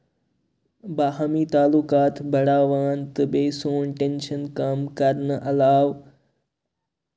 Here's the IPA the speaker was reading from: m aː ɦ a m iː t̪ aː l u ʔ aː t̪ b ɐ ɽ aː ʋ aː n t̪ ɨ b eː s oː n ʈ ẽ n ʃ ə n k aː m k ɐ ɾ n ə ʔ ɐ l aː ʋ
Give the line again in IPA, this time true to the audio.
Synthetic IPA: b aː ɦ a m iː t̪ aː l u k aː t̪ b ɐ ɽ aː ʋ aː n t̪ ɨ b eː s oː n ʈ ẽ n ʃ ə n k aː m k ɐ ɾ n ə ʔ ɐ l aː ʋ